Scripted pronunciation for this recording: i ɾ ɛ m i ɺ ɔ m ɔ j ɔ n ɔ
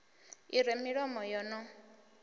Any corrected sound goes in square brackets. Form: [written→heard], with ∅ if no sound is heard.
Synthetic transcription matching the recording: i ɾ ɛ m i ɺ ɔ m ɔ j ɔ n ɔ